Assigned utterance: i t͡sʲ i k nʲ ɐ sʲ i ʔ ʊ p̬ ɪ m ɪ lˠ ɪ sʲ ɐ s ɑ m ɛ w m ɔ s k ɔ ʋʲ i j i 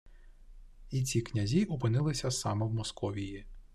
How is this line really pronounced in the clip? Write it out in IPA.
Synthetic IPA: i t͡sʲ i k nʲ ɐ zʲ i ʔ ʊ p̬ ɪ n ɪ lˠ ɪ sʲ ɐ s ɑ m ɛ w m ɔ s k ɔ ʋʲ i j i